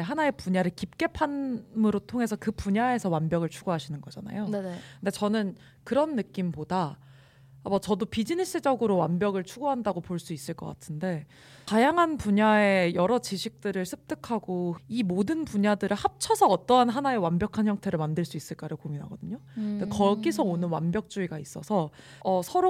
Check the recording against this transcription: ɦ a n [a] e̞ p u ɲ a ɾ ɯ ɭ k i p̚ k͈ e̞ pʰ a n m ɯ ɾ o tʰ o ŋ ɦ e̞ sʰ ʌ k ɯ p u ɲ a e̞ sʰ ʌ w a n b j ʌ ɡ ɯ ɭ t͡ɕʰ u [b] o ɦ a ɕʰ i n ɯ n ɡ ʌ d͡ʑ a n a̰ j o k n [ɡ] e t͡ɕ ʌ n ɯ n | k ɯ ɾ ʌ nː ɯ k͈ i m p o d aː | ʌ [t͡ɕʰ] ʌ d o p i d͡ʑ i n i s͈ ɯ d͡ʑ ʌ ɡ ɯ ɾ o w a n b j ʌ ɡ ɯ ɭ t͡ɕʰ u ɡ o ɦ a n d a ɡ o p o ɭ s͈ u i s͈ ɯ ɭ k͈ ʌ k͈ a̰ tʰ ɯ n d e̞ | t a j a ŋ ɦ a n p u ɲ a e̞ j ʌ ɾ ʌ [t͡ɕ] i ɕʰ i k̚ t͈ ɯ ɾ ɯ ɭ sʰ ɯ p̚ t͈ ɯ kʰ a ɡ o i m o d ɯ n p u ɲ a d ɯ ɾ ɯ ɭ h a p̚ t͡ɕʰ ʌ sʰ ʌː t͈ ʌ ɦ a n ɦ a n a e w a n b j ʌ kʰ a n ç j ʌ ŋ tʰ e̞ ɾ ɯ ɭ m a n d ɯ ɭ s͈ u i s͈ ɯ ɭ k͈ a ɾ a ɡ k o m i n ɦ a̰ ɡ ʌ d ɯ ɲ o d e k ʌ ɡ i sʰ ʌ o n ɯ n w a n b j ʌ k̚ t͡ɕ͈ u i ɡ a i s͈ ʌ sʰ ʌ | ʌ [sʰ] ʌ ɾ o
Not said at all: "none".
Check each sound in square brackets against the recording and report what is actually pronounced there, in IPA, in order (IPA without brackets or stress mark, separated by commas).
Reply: a, ɡ, d, t͡ɕ, t͡ɕ, sʰ